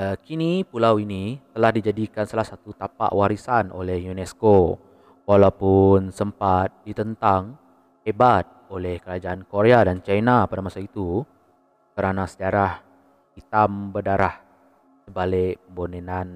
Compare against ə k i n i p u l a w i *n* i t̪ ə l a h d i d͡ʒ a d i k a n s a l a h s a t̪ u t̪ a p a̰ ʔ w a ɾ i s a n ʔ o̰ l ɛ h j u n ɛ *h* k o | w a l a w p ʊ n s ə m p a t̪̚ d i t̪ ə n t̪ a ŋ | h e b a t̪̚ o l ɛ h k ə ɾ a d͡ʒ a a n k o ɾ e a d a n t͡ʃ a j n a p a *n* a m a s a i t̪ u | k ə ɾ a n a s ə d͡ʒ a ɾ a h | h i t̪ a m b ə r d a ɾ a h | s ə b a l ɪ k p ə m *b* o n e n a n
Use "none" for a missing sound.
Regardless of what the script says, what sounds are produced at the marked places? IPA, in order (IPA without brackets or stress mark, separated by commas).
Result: n, s, d, b